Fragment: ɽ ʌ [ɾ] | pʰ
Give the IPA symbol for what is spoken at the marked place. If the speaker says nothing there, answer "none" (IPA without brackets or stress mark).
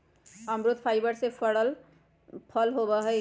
l